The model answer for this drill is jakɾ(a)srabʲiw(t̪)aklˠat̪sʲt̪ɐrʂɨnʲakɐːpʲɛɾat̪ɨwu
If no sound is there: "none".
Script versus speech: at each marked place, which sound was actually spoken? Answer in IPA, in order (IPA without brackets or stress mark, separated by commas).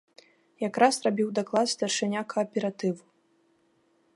a, d̪